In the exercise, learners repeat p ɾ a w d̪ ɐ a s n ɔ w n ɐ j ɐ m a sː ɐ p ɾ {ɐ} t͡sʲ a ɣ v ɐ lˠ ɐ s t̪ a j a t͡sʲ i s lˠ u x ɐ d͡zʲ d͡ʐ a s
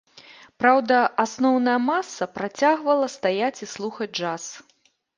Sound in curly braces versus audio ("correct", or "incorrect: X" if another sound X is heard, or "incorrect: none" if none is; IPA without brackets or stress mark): incorrect: a